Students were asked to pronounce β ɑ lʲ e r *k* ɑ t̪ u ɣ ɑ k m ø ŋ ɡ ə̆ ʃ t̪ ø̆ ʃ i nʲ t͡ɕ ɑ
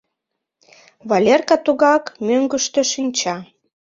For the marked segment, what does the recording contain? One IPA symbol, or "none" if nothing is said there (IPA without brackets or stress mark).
k